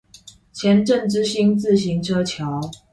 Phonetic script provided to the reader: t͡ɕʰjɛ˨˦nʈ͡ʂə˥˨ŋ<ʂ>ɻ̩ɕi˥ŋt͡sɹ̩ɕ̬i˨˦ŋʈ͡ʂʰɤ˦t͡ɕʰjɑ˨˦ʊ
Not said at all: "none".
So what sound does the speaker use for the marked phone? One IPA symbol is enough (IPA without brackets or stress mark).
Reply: ʈ͡ʂ